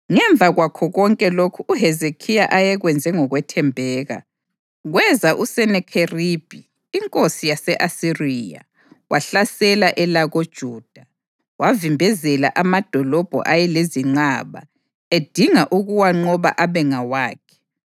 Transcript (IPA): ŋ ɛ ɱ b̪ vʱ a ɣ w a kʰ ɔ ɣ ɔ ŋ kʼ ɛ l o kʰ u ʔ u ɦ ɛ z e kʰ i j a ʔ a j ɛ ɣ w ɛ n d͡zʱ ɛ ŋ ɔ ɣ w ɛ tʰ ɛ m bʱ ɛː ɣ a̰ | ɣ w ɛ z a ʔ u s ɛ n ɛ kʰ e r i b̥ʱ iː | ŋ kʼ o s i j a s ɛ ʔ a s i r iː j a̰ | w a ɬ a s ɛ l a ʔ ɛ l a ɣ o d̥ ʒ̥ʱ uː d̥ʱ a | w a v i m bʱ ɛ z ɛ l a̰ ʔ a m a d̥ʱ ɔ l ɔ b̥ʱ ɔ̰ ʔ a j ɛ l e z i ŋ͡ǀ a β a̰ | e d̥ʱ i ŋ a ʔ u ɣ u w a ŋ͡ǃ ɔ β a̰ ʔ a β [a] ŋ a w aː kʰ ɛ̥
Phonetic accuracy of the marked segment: incorrect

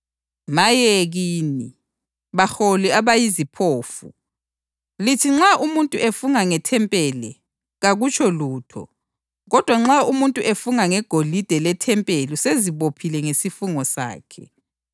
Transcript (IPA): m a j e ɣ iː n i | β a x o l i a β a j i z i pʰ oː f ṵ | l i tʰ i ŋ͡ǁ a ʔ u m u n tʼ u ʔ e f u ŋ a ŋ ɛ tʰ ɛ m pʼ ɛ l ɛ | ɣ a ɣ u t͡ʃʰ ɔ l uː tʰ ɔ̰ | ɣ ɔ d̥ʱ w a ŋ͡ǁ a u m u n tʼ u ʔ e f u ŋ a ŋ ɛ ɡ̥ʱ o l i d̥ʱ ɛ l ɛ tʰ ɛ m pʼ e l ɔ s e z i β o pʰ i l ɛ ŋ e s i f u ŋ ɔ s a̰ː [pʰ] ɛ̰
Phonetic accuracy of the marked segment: incorrect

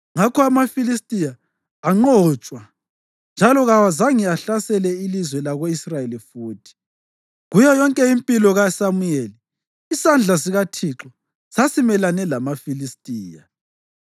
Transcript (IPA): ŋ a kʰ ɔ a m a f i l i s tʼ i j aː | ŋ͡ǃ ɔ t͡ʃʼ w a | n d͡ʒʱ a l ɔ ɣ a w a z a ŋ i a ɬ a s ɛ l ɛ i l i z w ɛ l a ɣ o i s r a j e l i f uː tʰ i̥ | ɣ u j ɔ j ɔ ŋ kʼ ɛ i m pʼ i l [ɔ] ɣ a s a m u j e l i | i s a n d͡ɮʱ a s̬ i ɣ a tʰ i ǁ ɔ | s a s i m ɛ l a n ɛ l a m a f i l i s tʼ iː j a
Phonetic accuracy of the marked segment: correct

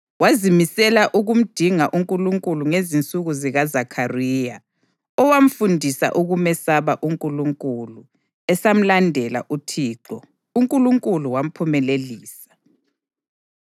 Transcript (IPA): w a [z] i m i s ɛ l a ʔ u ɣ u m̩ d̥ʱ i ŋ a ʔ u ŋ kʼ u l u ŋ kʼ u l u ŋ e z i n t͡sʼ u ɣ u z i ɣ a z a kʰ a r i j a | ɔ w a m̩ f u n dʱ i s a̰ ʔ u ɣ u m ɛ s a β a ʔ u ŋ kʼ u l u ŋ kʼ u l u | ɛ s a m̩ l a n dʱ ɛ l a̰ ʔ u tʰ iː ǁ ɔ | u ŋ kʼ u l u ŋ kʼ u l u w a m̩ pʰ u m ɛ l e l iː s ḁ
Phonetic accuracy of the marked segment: correct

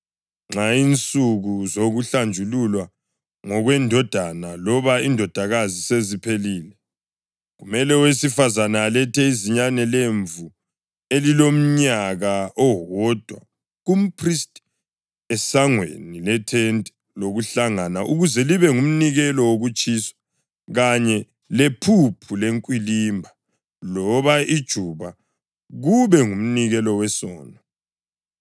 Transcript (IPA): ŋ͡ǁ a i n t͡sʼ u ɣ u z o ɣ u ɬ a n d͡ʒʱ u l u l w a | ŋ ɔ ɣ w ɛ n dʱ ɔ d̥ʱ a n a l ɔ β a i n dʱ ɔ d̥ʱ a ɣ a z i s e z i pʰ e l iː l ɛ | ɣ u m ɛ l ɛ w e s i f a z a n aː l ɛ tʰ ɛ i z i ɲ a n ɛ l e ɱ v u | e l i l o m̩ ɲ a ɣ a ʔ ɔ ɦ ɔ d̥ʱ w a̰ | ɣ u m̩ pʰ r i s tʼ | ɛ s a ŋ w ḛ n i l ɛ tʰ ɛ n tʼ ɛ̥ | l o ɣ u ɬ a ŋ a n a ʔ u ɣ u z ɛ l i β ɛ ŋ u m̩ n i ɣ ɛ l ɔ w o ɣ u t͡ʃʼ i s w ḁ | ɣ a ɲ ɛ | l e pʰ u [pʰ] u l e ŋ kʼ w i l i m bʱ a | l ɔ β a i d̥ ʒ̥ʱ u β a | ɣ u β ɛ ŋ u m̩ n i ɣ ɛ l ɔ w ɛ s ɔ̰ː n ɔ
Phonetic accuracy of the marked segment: correct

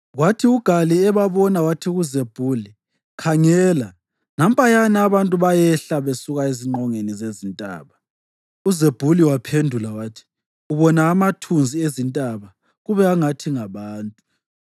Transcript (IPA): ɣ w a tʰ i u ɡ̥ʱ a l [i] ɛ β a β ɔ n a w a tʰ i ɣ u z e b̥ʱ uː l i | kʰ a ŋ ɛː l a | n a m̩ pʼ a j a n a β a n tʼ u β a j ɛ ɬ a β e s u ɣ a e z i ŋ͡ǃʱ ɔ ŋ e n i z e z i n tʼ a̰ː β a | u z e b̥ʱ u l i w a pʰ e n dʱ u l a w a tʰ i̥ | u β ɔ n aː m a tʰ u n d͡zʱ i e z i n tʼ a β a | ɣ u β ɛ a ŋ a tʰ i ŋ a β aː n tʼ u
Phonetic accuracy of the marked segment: correct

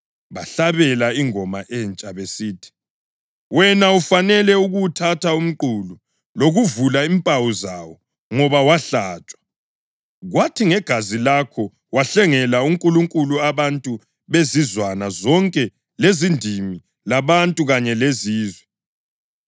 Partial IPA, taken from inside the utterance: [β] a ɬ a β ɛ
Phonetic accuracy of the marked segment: correct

